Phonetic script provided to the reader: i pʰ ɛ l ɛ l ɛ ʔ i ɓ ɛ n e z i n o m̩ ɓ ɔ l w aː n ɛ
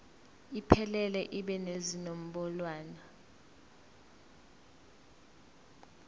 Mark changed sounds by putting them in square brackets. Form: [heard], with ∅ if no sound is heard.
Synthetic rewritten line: i pʰ ɛ l ɛ l ɛ ʔ i ɓ ɛ n e z i n o m̩ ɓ ɔ l w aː n [a]